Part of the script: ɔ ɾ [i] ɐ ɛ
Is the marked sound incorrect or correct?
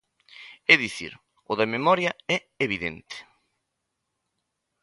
incorrect